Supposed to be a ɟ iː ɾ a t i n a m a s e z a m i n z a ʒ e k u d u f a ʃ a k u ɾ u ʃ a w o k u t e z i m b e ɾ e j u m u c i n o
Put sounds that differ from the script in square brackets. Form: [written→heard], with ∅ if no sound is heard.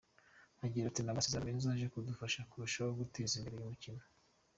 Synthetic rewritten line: a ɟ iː ɾ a t i n a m a s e z a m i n z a ʒ e k u d u f a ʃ a k u ɾ u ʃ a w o [k→ɡ] u t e z i m b e ɾ e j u m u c i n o